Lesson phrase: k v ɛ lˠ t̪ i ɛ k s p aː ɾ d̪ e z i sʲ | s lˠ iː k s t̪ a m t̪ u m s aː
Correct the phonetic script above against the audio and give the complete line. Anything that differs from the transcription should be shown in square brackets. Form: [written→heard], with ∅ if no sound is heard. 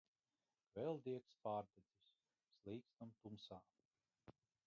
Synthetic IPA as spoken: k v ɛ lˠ [t̪→d̪] i ɛ k s p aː ɾ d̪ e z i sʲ | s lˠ iː k s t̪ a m t̪ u m s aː